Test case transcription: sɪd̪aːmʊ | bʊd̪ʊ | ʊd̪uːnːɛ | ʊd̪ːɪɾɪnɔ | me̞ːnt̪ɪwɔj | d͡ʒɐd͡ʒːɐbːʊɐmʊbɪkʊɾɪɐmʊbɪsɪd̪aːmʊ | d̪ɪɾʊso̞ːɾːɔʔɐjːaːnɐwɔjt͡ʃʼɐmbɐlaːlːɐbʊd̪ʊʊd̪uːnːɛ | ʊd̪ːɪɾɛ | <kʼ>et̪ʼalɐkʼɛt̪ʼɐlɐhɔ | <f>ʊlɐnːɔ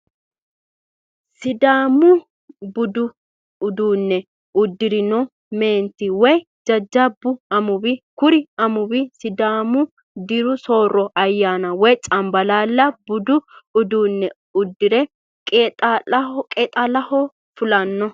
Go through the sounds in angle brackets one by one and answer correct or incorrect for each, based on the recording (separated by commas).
correct, correct